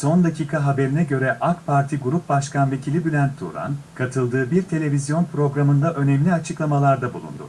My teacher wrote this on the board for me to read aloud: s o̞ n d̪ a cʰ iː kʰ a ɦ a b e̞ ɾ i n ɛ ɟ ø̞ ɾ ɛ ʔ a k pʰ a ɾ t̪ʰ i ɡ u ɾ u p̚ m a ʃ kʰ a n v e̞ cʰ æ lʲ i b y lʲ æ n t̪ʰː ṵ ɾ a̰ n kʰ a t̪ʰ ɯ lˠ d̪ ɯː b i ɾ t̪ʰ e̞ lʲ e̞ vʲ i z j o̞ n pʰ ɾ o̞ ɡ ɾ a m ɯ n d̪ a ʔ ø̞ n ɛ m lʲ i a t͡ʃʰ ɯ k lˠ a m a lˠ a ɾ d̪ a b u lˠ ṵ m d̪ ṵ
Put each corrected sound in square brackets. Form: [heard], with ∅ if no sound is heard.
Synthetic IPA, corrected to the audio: s o̞ n d̪ a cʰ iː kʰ a ɦ a b e̞ ɾ i n ɛ ɟ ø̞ ɾ ɛ ʔ a k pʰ a ɾ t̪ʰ i ɡ u ɾ u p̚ [b] a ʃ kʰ a n v e̞ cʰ [i] lʲ i b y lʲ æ n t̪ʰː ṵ ɾ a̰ n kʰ a t̪ʰ ɯ lˠ d̪ ɯː b i ɾ t̪ʰ e̞ lʲ e̞ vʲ i z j o̞ n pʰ ɾ o̞ ɡ ɾ a m ɯ n d̪ a ʔ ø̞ n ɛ m lʲ i a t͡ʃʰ ɯ k lˠ a m a lˠ a ɾ d̪ a b u lˠ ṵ [n] d̪ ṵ